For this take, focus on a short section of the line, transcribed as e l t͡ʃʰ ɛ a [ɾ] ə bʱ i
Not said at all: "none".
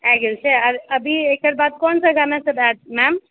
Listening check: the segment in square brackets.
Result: ɾ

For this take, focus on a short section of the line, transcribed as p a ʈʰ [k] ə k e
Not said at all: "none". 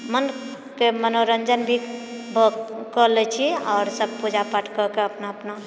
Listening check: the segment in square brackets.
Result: k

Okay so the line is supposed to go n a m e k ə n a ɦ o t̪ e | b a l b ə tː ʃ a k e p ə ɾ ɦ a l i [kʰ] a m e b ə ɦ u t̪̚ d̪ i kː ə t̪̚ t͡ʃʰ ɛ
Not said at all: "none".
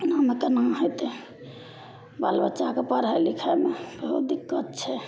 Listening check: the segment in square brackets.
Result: kʰ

